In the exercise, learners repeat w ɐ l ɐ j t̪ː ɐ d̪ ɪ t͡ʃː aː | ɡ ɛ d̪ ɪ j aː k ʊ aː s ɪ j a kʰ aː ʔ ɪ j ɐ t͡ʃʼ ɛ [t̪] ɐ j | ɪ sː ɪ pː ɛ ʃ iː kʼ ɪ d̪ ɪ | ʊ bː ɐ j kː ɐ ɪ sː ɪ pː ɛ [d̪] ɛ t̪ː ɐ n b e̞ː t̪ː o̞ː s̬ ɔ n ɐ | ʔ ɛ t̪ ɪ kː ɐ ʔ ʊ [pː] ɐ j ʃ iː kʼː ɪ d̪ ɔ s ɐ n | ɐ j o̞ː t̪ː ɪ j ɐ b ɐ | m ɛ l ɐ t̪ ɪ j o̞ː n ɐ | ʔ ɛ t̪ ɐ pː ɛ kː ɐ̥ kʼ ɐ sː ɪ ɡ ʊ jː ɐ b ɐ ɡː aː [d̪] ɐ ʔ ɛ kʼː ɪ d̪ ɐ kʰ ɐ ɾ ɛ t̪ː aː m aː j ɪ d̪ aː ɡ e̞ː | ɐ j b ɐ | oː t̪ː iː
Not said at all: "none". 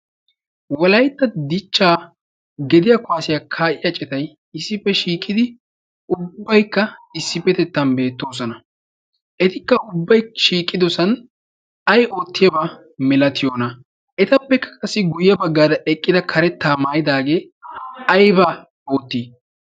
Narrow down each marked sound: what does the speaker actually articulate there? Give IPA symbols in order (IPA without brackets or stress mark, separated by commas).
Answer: t̪, t̪, bː, d̪